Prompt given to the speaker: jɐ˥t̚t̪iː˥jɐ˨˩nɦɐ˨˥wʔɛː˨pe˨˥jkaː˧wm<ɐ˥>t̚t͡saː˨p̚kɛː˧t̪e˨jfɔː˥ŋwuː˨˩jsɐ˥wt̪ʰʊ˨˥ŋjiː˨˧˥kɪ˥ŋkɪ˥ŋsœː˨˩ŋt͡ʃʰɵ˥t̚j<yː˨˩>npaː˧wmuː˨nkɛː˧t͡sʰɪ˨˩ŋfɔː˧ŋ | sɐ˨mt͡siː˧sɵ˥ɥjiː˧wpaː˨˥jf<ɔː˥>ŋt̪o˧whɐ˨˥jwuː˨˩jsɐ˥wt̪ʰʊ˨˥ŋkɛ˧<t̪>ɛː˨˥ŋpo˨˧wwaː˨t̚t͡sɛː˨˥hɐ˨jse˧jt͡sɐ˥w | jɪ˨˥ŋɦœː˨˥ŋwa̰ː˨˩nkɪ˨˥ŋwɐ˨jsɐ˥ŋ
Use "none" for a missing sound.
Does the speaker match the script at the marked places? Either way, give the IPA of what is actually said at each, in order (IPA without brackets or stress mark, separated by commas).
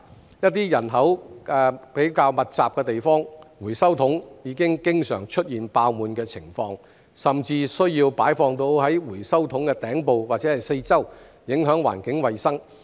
ɐ˨, iː˨˩, ɔː˧, t̪